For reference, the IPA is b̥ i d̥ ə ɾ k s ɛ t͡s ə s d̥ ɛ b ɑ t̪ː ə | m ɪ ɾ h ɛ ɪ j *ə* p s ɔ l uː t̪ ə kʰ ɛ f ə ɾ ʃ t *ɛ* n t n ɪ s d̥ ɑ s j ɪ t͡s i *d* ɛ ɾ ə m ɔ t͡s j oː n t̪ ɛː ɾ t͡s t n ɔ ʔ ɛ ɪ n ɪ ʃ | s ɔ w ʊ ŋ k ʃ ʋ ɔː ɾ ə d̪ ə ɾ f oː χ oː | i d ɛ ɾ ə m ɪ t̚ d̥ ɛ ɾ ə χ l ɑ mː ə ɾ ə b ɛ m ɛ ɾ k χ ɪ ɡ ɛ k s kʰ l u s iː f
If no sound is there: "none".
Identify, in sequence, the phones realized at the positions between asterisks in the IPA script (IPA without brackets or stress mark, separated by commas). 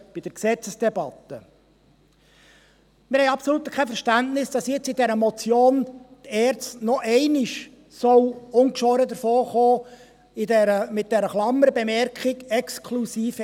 ɑ, æ, d